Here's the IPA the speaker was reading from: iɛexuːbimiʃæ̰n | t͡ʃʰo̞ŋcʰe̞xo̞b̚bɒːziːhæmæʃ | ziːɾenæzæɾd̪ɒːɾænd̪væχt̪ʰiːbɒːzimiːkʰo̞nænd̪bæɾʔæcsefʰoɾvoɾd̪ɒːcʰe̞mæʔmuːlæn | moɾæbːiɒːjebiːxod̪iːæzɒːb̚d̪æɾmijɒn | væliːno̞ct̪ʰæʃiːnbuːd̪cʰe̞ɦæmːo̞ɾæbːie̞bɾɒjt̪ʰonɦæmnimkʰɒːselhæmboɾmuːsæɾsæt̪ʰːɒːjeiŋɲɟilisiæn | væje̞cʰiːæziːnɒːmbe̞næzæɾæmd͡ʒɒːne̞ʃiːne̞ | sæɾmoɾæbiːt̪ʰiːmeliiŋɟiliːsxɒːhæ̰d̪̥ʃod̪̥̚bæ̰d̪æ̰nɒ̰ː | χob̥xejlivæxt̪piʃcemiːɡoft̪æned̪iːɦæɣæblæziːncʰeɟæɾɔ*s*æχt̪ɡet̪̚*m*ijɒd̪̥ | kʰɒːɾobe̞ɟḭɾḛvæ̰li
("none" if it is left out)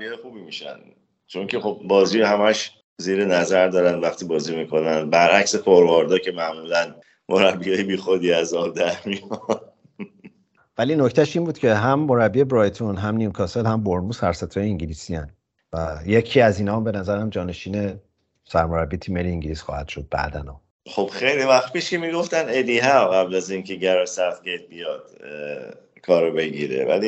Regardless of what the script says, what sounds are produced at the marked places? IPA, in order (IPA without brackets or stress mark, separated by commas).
s, b